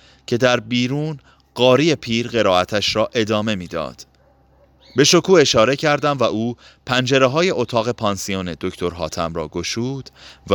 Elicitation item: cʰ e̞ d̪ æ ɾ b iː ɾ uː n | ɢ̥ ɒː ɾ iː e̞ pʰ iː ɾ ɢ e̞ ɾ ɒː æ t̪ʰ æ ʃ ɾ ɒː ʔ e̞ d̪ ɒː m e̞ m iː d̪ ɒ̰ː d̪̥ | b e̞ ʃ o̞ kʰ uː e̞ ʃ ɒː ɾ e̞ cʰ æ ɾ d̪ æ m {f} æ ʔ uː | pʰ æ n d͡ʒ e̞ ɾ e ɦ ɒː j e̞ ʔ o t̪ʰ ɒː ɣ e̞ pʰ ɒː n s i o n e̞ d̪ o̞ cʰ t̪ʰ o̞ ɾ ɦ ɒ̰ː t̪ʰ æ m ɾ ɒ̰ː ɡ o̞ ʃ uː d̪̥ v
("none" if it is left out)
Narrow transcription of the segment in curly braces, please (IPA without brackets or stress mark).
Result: v